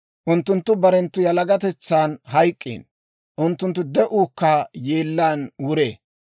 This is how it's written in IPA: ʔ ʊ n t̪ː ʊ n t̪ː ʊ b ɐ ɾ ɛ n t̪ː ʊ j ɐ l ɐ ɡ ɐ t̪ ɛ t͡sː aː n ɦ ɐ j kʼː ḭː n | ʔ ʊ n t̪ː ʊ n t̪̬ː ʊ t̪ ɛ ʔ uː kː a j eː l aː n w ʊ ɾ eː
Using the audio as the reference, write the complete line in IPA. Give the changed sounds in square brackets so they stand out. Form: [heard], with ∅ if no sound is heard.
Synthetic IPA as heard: ʔ ʊ n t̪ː ʊ n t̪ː ʊ b ɐ ɾ ɛ n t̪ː ʊ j ɐ l ɐ ɡ ɐ t̪ ɛ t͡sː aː n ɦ ɐ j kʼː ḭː n | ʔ ʊ n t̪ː ʊ n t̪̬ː ʊ [d̪] ɛ ʔ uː kː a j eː [lː] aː n w ʊ ɾ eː